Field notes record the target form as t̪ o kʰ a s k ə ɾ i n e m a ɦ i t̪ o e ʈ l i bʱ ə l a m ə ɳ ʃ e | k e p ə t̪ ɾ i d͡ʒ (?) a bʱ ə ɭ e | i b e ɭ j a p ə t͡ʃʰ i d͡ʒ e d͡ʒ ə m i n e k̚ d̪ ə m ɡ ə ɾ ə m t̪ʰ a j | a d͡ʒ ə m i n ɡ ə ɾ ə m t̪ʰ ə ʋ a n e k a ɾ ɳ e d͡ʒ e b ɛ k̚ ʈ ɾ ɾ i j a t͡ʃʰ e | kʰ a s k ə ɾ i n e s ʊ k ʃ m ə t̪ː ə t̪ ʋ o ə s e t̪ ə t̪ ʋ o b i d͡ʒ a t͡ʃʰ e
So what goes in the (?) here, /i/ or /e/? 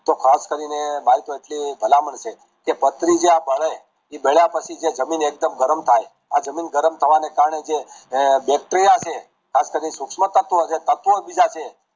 e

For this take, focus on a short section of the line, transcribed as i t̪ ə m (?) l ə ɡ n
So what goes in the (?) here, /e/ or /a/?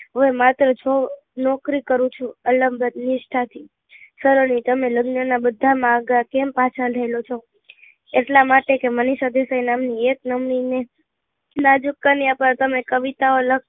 e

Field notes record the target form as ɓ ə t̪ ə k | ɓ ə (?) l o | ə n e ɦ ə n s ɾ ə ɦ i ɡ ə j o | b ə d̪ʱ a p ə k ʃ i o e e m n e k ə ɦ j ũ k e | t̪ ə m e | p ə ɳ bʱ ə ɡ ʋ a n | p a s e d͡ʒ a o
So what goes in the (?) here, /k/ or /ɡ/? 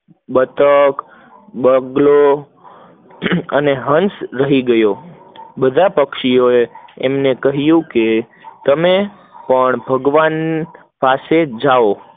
ɡ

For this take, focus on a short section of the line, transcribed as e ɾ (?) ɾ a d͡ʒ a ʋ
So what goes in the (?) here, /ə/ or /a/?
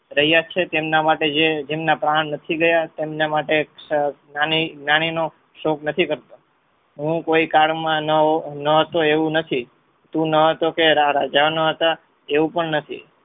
a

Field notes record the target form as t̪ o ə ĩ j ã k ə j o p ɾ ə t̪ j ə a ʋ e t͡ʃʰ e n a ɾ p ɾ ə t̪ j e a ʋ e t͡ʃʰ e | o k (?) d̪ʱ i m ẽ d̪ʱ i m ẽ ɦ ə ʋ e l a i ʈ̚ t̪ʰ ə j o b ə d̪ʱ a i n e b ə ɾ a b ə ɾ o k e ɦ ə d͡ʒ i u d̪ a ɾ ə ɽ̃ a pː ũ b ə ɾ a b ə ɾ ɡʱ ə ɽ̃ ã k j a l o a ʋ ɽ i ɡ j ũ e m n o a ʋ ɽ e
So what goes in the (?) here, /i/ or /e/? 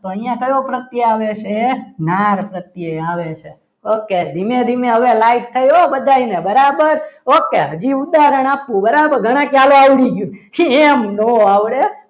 e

